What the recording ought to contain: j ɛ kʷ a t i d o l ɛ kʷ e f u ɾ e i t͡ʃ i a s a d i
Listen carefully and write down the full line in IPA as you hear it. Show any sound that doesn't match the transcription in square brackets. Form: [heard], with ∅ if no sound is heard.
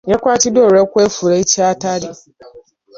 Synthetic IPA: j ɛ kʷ a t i d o [ɾ] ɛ kʷ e f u ɾ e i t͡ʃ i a [t] a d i